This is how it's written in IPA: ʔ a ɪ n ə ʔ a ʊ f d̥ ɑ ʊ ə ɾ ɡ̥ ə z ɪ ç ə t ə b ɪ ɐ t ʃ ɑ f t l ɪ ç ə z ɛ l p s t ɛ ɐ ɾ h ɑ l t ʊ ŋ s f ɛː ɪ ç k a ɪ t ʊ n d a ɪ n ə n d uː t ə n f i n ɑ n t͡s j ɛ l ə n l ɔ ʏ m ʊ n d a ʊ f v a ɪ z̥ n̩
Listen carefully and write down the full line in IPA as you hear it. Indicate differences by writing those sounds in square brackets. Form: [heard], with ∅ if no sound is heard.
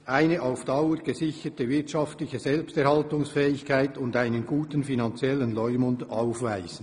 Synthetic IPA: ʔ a ɪ n ə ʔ a ʊ f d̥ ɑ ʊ ə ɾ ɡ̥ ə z ɪ ç ə t ə [v] ɪ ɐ t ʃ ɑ f t l ɪ ç ə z ɛ l p s t ɛ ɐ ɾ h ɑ l t ʊ ŋ s f ɛː ɪ ç k a ɪ t ʊ n d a ɪ n ə n [ɡ] uː t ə n f i n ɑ n t͡s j ɛ l ə n l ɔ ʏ m ʊ n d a ʊ f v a ɪ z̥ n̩

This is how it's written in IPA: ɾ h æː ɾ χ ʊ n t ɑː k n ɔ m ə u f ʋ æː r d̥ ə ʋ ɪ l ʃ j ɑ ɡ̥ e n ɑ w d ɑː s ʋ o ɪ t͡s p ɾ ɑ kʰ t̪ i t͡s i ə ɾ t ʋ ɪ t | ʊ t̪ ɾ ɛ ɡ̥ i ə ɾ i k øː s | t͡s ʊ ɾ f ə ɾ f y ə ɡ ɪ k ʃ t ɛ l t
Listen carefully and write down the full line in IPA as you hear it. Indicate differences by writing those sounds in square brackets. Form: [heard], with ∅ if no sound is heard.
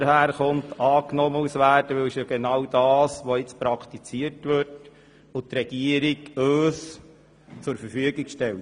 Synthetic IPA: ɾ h æː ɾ χ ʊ n t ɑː k n ɔ m ə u [s] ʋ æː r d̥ ə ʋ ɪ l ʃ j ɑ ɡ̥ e n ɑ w d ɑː s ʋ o ɪ t͡s p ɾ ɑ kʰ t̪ i t͡s i ə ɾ t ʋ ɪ t | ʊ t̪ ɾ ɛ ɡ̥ i ə ɾ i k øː s | t͡s ʊ ɾ f ə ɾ f y ə ɡ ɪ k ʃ t ɛ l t

